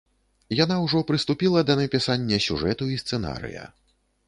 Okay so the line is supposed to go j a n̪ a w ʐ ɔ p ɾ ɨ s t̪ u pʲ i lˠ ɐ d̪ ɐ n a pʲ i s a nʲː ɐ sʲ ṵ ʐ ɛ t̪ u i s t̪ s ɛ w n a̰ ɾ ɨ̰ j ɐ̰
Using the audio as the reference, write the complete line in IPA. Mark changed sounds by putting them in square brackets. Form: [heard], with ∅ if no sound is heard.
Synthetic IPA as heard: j a n̪ a w ʐ ɔ p ɾ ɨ s t̪ u pʲ i lˠ ɐ d̪ ɐ n [ɐ] pʲ i s a nʲː ɐ sʲ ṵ ʐ ɛ t̪ u i s t̪ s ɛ [∅] n a̰ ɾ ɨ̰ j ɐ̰